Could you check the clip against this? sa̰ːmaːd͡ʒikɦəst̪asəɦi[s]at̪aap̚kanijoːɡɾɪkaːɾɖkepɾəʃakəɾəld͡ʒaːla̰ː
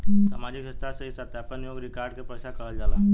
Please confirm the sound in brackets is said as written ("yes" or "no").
yes